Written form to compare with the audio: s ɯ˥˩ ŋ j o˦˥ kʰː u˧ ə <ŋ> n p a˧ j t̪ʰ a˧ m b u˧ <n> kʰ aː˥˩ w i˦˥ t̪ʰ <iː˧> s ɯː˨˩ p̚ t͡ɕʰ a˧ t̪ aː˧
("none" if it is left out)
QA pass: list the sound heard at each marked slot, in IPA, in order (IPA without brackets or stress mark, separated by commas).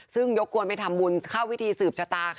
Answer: none, n, iː˧